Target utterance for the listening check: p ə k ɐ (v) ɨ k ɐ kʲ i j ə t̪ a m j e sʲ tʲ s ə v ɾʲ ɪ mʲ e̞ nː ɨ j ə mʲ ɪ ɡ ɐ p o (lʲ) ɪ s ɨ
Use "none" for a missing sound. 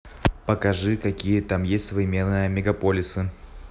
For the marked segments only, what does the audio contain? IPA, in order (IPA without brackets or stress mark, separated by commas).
ʐ, lʲ